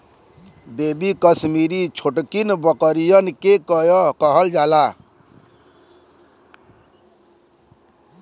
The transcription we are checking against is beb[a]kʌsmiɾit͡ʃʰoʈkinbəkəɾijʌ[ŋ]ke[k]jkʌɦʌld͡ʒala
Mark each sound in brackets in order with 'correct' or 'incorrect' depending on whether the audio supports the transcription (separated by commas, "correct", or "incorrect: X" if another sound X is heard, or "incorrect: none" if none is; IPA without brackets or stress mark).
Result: incorrect: i, incorrect: n, correct